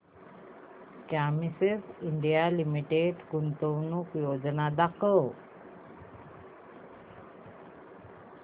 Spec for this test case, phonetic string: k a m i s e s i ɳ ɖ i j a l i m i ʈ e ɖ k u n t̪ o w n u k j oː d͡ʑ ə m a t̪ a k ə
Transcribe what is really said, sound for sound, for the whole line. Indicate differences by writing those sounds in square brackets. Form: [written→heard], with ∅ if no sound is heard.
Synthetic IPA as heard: k a m i s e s i ɳ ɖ i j a l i m i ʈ e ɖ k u n t̪ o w n u k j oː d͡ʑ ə [m→n] a [t̪→d̪] a k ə

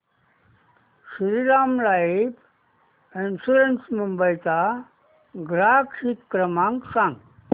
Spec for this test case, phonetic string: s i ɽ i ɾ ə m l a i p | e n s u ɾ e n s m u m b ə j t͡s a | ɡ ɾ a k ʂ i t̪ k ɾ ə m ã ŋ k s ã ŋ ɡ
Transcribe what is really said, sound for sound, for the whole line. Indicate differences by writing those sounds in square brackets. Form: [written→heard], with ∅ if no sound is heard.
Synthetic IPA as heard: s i [ɽ→ɾ] i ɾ [ə→a] m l a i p | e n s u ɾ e n s m u m b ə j t͡s a | ɡ ɾ a k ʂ i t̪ k ɾ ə m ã ŋ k s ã ŋ ɡ

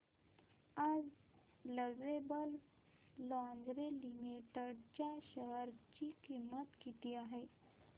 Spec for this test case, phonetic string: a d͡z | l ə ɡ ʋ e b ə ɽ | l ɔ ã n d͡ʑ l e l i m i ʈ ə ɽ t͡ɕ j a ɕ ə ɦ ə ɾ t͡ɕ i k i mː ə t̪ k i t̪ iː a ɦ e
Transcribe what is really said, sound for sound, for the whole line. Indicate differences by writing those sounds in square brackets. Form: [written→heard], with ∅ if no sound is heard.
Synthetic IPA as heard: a d͡z | l ə ɡ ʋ e b ə [ɽ→l] | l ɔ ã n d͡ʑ [l→ɾ] e l i m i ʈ ə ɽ t͡ɕ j a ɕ ə ɦ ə ɾ t͡ɕ i k i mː ə t̪ k i t̪ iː a ɦ e

